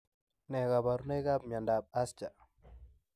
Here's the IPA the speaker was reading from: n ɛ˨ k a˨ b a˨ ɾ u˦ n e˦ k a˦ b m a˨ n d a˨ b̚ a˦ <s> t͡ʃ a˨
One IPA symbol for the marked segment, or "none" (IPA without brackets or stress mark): s